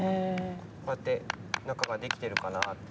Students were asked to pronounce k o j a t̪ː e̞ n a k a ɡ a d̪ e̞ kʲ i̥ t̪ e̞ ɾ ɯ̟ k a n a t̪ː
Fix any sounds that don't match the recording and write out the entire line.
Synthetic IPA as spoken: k o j a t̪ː e̞ n a k a ɡ a d̪ e̞ kʲ i̥ t̪ e̞ ɾ ɯ̟ k a n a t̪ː